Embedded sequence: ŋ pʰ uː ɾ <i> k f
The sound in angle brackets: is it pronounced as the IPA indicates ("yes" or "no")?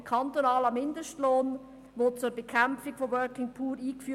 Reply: no